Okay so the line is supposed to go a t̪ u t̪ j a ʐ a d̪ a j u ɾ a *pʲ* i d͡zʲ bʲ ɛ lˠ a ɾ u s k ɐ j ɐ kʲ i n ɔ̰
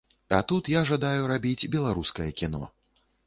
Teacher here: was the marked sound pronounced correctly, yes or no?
no